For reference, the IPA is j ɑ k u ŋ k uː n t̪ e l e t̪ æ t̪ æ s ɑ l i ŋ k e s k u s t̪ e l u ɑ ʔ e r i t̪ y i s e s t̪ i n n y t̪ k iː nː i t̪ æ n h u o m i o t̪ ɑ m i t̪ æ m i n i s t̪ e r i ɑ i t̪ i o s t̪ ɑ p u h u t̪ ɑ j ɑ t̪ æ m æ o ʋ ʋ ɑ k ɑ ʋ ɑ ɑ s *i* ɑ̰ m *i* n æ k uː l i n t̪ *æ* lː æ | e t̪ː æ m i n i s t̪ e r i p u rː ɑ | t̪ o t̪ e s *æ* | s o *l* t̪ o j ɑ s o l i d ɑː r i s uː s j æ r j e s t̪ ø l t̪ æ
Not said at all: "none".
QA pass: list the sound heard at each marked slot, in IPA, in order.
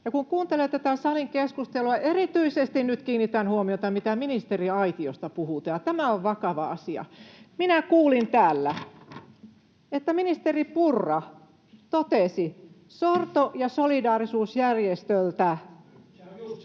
i, i, æː, i, r

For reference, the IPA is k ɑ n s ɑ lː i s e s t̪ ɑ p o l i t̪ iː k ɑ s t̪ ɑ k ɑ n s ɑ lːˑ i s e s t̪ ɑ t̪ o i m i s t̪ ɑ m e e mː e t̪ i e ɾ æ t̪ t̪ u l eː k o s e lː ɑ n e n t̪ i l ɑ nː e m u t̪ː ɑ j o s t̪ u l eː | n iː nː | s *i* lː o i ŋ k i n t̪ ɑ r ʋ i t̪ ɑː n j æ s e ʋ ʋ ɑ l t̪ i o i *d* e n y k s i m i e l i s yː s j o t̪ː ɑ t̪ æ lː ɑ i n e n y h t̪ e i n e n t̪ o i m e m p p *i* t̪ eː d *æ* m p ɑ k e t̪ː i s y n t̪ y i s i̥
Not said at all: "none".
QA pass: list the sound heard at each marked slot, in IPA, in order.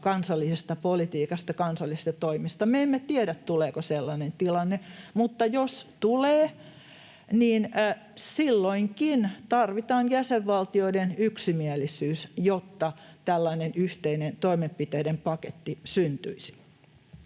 i, d, i, e

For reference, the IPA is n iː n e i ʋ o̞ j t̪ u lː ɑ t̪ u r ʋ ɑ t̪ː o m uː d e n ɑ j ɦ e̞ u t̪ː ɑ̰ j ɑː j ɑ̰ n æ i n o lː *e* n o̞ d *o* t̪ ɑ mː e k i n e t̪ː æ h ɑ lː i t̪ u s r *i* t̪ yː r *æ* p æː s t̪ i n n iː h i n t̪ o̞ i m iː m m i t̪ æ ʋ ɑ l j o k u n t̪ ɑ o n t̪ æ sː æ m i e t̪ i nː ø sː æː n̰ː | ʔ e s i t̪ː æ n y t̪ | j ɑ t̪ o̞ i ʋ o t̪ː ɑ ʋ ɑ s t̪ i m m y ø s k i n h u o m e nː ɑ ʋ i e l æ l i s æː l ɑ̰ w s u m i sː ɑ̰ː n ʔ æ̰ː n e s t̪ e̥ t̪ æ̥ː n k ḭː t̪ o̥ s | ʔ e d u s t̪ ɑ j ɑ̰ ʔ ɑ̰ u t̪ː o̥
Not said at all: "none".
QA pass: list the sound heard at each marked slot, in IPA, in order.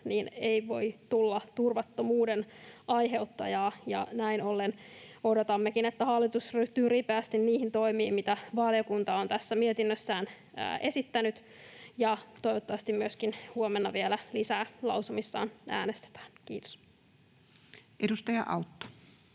e, o, y, i

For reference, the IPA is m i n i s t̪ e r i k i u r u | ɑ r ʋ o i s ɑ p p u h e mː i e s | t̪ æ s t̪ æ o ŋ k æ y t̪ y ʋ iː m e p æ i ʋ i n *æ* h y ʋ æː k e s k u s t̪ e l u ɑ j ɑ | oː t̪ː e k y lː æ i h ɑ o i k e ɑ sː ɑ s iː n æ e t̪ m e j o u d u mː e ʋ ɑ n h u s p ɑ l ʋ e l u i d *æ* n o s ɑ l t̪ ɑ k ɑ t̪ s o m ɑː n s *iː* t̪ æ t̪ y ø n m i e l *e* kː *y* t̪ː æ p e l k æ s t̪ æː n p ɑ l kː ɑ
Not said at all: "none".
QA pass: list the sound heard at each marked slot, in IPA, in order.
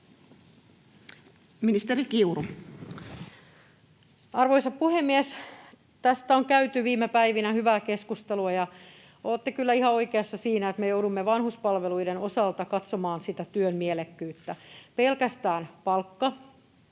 æ, e, i, e, yː

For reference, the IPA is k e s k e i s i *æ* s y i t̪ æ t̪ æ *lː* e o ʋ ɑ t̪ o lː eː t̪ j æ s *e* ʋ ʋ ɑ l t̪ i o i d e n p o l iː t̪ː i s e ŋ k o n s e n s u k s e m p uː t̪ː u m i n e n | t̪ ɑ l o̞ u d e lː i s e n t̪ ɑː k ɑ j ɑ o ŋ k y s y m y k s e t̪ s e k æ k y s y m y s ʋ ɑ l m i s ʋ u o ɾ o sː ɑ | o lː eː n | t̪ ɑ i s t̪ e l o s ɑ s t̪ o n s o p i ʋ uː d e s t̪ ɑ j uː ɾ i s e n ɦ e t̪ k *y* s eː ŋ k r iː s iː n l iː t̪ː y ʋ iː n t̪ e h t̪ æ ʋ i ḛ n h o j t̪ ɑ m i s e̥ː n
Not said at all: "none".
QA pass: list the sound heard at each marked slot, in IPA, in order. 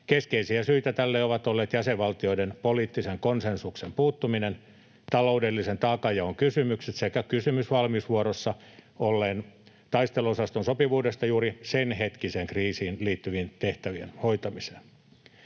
æ, lː, e, i

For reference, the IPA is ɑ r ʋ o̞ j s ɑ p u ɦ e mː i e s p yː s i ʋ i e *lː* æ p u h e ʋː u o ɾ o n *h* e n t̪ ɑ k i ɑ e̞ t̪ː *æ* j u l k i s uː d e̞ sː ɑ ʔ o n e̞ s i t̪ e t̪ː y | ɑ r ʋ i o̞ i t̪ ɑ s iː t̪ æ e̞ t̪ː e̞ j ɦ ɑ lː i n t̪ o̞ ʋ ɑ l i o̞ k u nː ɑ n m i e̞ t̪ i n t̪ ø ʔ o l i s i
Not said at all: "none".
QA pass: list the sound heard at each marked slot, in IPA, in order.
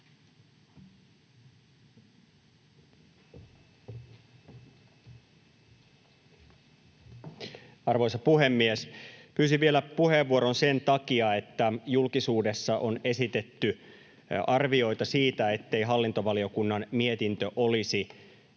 l, s, æ

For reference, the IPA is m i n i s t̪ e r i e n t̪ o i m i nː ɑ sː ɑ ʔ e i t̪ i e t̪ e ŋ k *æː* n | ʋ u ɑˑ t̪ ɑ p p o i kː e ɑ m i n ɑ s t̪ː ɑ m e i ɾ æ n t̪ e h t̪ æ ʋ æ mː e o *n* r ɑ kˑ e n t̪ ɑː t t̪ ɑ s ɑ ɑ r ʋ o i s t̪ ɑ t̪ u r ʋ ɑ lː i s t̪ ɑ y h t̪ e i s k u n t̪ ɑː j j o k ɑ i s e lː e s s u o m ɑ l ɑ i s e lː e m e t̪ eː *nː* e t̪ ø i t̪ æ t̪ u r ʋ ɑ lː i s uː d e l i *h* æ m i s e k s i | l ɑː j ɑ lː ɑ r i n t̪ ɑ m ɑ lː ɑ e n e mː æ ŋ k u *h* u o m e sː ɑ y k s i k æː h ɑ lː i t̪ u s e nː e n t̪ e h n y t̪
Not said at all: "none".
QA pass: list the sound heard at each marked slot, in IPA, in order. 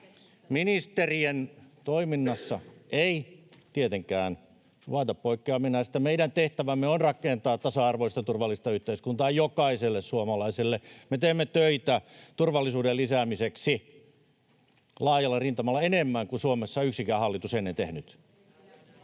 æː, n, mː, s, s

